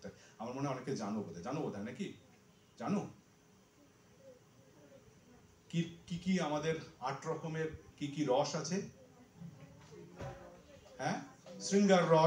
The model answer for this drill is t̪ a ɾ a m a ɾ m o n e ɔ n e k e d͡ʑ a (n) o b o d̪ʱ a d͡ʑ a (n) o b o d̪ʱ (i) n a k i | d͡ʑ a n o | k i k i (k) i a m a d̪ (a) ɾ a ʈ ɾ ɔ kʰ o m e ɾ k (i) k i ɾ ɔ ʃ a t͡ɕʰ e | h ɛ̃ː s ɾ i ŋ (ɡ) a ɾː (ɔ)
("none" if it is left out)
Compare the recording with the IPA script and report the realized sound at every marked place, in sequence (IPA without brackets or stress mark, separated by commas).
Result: n, n, a, k, e, i, ɡ, ɔ